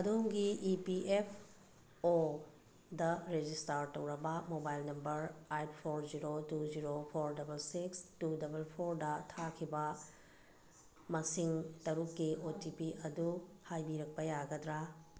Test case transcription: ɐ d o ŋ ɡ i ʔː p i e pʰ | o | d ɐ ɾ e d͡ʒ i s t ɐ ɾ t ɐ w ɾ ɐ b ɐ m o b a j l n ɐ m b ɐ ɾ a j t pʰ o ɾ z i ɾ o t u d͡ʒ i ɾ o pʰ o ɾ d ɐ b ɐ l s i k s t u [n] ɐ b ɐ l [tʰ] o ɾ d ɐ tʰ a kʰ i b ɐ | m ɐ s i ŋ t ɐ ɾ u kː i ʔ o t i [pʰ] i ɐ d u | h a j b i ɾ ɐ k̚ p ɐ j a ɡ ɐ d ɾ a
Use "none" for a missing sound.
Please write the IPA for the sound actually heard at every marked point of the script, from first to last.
d, pʰ, p

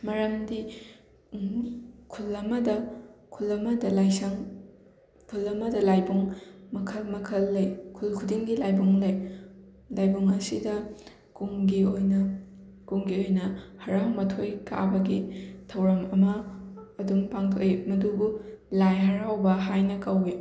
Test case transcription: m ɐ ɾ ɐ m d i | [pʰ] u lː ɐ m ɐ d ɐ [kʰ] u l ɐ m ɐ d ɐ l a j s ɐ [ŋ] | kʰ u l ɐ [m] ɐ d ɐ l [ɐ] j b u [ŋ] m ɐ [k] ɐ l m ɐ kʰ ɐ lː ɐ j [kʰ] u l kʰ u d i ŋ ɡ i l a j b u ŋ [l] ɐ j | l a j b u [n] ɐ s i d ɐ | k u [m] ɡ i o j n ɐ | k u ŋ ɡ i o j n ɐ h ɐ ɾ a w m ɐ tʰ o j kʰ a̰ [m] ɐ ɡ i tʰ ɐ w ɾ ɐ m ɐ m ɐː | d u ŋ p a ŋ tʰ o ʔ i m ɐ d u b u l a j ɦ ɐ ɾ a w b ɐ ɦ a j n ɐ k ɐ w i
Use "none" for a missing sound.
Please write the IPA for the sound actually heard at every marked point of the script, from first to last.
kʰ, kʰ, ŋ, m, a, ŋ, kʰ, kʰ, l, ŋ, ŋ, b

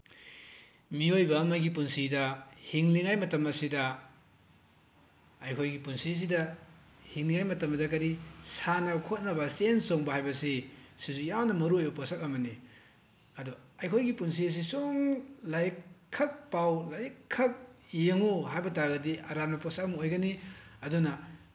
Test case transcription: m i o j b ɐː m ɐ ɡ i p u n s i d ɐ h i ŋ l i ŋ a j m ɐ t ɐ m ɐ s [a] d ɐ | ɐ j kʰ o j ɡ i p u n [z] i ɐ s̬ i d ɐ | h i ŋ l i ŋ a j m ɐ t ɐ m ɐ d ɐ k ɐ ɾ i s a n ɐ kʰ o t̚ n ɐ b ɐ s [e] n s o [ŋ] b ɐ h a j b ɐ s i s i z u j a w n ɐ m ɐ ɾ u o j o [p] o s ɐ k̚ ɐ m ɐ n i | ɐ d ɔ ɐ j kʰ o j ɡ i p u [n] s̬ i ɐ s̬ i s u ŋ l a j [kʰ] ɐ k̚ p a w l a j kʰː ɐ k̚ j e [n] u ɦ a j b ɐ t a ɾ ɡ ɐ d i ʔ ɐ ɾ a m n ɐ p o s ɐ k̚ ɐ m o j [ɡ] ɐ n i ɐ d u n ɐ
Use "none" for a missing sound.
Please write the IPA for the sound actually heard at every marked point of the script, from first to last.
i, s, e, ŋ, p, n, kʰ, ŋ, ɡ

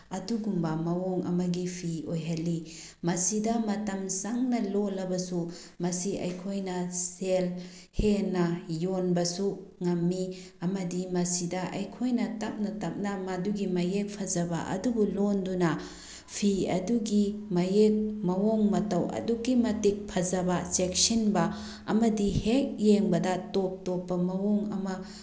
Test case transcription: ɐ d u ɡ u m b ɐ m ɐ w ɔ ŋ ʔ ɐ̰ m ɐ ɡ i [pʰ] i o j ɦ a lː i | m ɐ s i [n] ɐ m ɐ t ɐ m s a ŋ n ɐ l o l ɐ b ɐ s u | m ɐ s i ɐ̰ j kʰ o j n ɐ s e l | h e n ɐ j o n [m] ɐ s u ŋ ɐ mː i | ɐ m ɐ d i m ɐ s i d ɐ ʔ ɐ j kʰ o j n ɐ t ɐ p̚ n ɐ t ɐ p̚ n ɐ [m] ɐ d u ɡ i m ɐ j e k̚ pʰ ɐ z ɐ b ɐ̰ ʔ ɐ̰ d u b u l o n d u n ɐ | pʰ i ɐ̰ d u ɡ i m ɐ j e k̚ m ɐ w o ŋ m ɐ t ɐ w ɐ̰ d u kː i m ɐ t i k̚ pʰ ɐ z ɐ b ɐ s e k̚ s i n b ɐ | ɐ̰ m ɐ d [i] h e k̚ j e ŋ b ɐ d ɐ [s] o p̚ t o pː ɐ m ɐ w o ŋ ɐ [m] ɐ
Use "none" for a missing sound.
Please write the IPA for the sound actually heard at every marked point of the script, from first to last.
pʰ, d, b, m, i, t, m

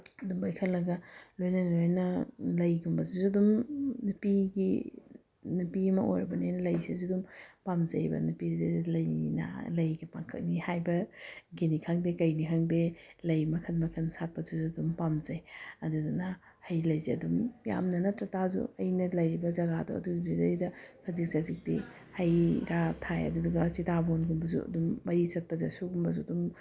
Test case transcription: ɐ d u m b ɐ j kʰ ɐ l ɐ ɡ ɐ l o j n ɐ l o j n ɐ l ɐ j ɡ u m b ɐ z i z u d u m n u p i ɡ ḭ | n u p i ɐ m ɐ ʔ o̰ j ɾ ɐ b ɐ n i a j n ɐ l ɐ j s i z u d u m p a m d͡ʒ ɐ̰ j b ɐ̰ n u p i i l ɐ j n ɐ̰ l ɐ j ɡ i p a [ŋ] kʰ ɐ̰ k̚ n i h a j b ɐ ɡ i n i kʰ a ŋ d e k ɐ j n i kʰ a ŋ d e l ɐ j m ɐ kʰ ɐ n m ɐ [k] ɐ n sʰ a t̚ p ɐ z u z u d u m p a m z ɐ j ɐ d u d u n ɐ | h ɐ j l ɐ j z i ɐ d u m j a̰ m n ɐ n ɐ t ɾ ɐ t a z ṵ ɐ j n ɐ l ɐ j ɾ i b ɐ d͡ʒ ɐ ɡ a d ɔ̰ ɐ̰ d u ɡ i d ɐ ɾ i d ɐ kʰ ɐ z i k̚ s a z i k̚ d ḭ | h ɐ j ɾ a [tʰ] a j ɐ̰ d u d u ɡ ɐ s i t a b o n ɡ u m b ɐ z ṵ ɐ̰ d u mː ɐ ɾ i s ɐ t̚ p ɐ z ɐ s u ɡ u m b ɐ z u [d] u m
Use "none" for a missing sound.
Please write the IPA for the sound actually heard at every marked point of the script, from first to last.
ŋ, kʰ, tʰ, d

